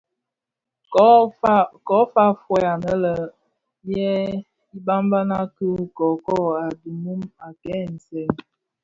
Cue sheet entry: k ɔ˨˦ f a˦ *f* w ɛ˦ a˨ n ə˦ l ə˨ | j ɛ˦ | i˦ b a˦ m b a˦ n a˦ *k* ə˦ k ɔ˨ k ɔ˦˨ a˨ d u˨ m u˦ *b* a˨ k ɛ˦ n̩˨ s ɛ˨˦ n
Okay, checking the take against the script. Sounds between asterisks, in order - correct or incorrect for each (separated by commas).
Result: correct, correct, incorrect